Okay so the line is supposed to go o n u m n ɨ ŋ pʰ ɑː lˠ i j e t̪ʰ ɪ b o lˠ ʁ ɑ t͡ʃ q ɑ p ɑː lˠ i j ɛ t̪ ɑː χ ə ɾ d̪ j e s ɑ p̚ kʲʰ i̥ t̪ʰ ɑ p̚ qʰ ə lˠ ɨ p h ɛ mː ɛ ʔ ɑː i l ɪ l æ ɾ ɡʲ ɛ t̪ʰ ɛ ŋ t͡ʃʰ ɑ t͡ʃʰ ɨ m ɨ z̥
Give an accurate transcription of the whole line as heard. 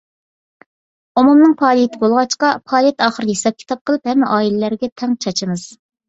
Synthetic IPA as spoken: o m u m n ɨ ŋ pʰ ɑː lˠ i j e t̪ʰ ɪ b o lˠ ʁ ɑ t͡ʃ q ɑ pʰ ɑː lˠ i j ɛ t̪ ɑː χ ə ɾ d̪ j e s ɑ p̚ kʲʰ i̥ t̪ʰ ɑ p̚ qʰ ə lˠ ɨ p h ɛ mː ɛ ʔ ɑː i l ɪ l æ ɾ ɡʲ ɛ t̪ʰ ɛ ŋ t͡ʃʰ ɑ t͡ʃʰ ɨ m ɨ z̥